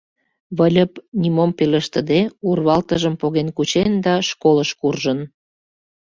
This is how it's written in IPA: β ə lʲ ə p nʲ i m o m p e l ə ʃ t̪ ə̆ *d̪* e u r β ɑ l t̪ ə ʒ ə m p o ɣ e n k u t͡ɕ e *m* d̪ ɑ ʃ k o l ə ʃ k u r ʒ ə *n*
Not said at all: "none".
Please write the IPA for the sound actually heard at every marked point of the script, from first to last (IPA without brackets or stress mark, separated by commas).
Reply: d̪, n, n